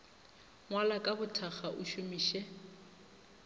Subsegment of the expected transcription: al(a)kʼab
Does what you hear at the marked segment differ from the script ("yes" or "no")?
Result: no